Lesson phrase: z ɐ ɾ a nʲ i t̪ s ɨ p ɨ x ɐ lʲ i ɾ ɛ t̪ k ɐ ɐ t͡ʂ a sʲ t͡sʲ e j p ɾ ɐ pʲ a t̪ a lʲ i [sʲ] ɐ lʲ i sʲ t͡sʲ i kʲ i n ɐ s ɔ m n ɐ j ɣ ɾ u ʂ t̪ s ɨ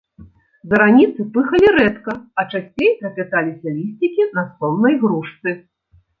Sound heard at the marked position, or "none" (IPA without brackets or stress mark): sʲ